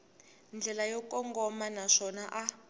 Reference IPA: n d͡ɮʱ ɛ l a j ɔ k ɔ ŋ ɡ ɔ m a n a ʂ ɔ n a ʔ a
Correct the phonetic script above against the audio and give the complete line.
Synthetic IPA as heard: n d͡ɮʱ ɛ l a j ɔ k ɔ ŋ ɡ ɔ m a n a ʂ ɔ n a ʔ a